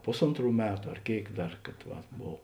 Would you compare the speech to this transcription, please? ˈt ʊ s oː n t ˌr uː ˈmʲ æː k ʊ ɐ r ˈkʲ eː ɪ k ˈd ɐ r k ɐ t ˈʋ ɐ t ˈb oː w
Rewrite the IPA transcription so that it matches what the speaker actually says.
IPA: ˈp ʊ s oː n t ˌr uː ˈmʲ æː t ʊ ɐ r ˈkʲ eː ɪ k ˈd ɐ r k ɐ t ˈʋ ɐ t ˈb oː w